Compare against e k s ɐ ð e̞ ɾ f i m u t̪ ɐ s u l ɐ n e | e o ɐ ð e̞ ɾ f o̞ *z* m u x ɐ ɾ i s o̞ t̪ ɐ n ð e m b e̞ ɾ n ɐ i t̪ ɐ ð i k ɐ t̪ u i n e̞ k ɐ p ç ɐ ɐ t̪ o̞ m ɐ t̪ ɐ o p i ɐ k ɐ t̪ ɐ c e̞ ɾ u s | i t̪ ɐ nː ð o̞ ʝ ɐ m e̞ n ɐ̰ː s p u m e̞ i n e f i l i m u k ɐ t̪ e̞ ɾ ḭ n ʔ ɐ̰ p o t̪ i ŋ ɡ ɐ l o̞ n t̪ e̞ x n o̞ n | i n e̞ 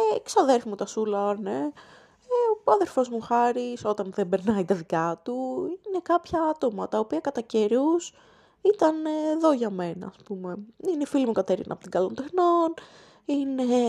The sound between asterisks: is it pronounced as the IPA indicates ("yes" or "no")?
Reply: yes